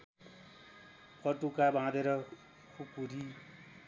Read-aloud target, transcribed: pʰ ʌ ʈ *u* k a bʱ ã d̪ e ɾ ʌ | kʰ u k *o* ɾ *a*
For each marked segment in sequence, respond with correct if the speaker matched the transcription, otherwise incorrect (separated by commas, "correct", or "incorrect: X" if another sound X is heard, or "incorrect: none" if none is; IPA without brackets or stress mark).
correct, incorrect: u, incorrect: i